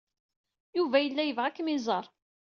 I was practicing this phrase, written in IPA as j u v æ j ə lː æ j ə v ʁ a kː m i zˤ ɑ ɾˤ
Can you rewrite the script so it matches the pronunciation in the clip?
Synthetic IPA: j u v æ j ə lː æ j ə v ʁ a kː m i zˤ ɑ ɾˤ